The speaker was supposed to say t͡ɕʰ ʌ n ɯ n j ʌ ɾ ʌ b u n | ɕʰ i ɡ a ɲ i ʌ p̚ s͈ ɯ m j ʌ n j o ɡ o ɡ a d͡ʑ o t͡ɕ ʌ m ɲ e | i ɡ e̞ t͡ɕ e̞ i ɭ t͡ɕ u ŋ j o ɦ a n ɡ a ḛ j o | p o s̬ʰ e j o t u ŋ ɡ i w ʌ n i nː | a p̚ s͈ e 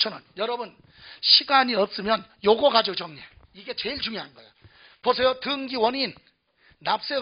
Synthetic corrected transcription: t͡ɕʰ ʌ n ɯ n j ʌ ɾ ʌ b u n | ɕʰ i ɡ a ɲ i ʌ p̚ s͈ ɯ m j ʌ n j o ɡ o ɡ a d͡ʑ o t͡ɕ ʌ ŋ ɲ e | i ɡ e̞ t͡ɕ e̞ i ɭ t͡ɕ u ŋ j o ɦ a n ɡ ʌ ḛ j o | p o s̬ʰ e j o t ɯ ŋ ɡ i w ʌ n i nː | a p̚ s͈ e